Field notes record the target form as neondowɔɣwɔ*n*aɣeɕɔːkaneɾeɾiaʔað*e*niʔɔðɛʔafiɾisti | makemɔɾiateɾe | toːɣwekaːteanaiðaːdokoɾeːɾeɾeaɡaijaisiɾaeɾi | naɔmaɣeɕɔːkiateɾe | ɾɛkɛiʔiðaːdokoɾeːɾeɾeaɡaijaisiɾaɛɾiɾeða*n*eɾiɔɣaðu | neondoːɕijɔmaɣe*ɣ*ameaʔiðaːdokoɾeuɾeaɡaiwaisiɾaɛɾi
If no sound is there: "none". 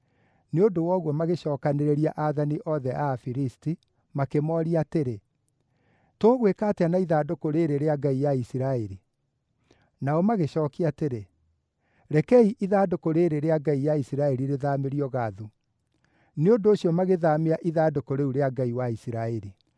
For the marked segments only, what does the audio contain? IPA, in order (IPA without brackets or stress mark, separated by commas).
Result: m, a, m, ð